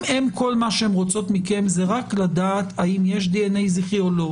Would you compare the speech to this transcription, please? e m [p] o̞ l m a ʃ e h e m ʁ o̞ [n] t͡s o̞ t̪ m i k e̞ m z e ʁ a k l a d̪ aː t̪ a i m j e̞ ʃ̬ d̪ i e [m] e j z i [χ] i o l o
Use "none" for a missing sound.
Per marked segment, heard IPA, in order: k, none, n, χ

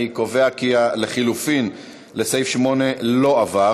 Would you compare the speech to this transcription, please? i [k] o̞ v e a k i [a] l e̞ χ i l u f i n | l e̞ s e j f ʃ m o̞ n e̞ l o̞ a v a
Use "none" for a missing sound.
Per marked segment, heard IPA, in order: k, a

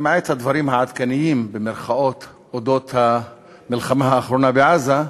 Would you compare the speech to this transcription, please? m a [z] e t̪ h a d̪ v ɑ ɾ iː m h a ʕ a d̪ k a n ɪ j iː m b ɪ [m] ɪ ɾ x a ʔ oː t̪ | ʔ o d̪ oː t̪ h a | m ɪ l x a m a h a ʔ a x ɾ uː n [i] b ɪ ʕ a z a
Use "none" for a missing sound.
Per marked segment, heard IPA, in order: ʕ, m, a

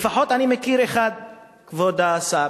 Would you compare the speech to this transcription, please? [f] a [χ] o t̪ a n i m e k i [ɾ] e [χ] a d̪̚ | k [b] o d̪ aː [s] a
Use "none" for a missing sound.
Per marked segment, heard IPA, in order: f, ħ, ɾ, χ, v, s

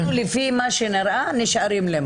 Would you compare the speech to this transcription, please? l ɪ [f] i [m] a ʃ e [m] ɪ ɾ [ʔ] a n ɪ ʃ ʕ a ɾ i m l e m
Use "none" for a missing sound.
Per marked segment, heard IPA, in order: f, m, n, ʔ

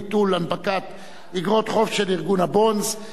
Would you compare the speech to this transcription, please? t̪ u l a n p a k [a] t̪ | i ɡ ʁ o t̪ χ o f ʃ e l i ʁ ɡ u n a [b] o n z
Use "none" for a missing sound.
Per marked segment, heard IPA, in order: a, b

